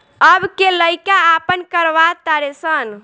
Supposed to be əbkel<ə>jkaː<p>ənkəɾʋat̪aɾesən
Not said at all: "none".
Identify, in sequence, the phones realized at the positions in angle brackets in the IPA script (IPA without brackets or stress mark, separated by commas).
ə, p